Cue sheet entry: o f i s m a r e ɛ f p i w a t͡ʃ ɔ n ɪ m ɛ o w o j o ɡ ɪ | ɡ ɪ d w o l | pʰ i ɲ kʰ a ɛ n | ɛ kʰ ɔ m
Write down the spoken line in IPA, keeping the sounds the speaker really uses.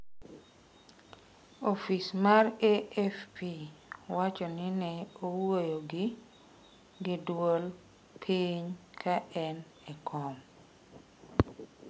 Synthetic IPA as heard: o f i s m a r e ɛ f p i w a t͡ʃ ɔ n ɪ n ɛ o w o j o ɡ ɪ | ɡ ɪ d w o l | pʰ i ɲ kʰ a ɛ n | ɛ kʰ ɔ m